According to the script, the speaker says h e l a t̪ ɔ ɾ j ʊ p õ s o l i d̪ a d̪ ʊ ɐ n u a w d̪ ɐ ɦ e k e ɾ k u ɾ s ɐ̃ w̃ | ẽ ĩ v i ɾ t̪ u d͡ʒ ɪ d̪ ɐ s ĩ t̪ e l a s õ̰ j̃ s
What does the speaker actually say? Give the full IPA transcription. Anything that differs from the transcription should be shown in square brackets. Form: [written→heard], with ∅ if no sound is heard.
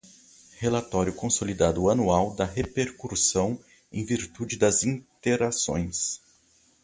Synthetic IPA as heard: h e l a t̪ ɔ ɾ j ʊ [p→k] õ s o l i d̪ a d̪ ʊ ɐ n u a w d̪ ɐ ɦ e [k→p] e ɾ k u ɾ s ɐ̃ w̃ | ẽ [ĩ→j̃] v i ɾ t̪ u d͡ʒ ɪ d̪ ɐ [s→z] ĩ t̪ e [l→ɾ] a s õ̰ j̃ s

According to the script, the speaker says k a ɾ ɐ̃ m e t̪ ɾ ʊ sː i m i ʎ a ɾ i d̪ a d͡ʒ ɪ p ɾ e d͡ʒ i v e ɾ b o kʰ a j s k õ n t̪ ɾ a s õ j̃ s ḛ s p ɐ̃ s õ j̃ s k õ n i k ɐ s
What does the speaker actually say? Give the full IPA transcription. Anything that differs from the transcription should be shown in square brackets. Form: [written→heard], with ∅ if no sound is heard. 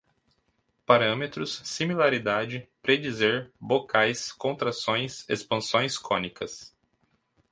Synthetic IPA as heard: [k→p] a ɾ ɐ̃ m e t̪ ɾ ʊ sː i m i [ʎ→l] a ɾ i d̪ a d͡ʒ ɪ p ɾ e d͡ʒ i [v→z] e ɾ b o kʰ a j s k õ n t̪ ɾ a s õ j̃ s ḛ s p ɐ̃ s õ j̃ s k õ n i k ɐ s

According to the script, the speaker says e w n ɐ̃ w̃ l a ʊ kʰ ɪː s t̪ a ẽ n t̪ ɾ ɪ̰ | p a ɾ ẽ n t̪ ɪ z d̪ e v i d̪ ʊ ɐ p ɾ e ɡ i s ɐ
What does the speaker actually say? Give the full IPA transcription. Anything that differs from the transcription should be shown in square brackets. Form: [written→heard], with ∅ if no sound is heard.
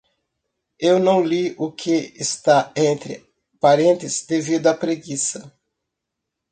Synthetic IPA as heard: e w n ɐ̃ w̃ l [a→i] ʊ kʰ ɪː s t̪ a ẽ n t̪ ɾ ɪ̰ | p a ɾ ẽ n t̪ ɪ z d̪ e v i d̪ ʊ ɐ p ɾ e ɡ i s ɐ

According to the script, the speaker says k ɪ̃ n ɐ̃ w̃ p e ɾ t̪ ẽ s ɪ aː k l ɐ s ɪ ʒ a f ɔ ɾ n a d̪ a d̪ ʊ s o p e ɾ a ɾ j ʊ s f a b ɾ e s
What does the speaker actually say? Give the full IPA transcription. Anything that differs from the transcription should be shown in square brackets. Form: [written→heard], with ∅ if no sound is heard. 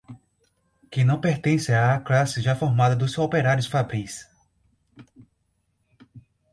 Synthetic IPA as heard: k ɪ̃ n ɐ̃ w̃ p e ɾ t̪ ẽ s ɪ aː k l [ɐ→a] s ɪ ʒ a f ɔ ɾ [n→m] a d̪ [a→ɐ] d̪ ʊ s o p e ɾ a ɾ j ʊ s f a b ɾ [e→i] s

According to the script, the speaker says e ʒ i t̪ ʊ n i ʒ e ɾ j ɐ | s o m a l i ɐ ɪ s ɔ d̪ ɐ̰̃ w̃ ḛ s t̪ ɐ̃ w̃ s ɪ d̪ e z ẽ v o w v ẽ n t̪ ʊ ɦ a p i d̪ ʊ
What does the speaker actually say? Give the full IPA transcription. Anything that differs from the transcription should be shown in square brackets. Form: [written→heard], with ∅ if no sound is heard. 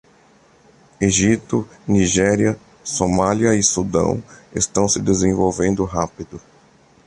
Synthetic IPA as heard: e ʒ i t̪ ʊ n i ʒ [e→ɛ] ɾ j ɐ | s o m a l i ɐ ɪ s [ɔ→u] d̪ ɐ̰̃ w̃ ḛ s t̪ ɐ̃ w̃ s ɪ d̪ e z ẽ v o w v ẽ n [t̪→d̪] ʊ ɦ a p i d̪ ʊ

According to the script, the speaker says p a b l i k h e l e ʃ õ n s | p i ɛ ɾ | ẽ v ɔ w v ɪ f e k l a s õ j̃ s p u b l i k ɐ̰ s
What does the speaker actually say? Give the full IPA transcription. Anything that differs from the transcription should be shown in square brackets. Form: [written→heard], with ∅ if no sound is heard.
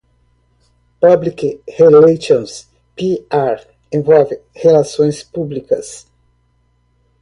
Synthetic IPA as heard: p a b l i k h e l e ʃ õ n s | p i [ɛ→a] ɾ | ẽ v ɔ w v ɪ [f→h] e [k→∅] l a s õ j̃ s p u b l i k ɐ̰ s

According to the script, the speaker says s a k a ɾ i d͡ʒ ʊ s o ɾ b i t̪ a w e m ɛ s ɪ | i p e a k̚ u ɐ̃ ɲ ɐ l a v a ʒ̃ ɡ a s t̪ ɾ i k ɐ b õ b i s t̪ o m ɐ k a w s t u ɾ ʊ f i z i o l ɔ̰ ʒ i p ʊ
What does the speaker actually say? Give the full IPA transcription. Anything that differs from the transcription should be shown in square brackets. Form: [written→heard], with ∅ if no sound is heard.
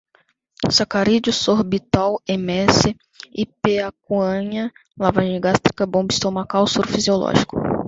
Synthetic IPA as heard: s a k a ɾ i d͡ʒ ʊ s o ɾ b i t̪ a w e m ɛ s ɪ | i p e a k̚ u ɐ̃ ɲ ɐ l a v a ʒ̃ ɡ a s t̪ ɾ i k ɐ b õ b i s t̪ o m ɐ k a w s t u ɾ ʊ f i z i o l ɔ̰ ʒ i [p→k] ʊ

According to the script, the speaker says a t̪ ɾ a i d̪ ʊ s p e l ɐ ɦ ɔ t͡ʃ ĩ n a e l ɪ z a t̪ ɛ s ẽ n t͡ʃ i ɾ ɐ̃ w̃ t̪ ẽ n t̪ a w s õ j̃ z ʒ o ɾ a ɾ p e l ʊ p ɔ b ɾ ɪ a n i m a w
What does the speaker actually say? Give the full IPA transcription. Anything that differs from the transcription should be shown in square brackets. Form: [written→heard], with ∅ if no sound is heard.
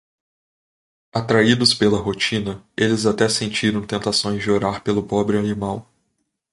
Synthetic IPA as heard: a t̪ ɾ a i d̪ ʊ s p e l ɐ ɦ [ɔ→o] t͡ʃ ĩ n [a→ɐ] e l ɪ z a t̪ ɛ s ẽ n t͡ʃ i ɾ ɐ̃ w̃ t̪ ẽ n t̪ a [w→∅] s õ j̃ z [ʒ→d͡ʒ] o ɾ a ɾ p e l ʊ p ɔ b ɾ ɪ a n i m a w

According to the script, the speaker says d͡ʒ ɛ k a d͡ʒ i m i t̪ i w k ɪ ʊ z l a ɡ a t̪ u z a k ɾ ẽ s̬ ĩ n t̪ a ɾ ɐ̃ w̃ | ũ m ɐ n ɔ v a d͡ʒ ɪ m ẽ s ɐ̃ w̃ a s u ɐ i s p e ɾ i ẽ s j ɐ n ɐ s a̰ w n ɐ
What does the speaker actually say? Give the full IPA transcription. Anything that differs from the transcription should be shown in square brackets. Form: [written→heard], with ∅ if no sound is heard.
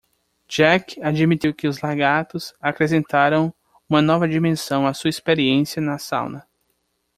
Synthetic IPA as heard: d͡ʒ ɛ k a d͡ʒ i m i t̪ i w k ɪ ʊ z l a ɡ a t̪ [u→ʊ] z a k ɾ [ẽ→e] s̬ [ĩ→ẽ] n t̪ a ɾ ɐ̃ w̃ | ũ m ɐ n ɔ v [a→ɐ] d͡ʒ [ɪ→i] m ẽ s ɐ̃ w̃ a s u ɐ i s p e ɾ i ẽ s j ɐ n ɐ s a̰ w n ɐ

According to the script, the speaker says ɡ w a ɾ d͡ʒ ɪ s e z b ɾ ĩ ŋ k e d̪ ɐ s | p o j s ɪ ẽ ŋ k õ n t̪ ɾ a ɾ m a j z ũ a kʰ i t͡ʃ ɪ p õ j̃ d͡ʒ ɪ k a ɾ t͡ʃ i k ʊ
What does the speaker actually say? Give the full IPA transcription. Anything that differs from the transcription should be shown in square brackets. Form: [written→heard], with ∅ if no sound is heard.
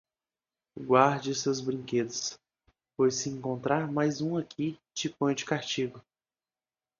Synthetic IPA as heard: ɡ w a ɾ d͡ʒ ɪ s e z b ɾ ĩ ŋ k e d̪ ɐ s | p o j s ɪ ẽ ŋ k õ n t̪ ɾ a ɾ m a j z ũ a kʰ i t͡ʃ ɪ p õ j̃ d͡ʒ ɪ k a ɾ t͡ʃ i [k→ɡ] ʊ

